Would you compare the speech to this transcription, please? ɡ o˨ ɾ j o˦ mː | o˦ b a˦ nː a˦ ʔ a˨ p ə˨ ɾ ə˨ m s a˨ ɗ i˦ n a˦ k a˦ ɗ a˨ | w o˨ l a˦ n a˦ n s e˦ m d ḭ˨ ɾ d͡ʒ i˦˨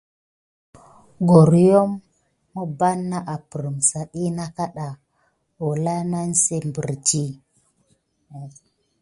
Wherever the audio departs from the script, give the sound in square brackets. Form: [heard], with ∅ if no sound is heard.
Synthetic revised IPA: ɡ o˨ ɾ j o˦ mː | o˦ b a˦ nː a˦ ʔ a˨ p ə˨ ɾ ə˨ m s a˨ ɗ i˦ n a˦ k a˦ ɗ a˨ | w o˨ l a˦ n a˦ n s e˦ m [b] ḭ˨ ɾ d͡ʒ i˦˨